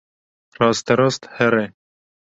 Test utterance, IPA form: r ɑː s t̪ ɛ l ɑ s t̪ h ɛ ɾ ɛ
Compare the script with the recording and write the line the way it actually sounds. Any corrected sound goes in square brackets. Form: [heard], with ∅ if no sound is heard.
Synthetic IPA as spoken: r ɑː s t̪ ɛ [ɾ] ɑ s t̪ h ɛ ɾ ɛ